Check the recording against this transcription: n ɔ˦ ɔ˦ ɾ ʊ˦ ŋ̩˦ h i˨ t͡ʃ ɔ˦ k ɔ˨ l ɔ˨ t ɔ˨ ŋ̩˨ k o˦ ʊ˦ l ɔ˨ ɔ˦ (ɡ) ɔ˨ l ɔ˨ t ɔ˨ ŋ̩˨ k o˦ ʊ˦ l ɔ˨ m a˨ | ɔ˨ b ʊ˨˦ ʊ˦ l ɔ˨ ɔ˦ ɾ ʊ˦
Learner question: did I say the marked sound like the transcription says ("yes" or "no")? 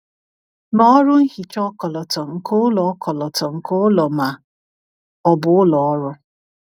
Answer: no